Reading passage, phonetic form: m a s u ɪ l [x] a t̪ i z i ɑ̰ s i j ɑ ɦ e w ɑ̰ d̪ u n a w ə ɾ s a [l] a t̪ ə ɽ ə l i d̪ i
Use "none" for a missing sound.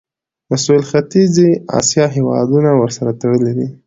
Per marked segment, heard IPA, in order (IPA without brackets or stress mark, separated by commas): x, ɾ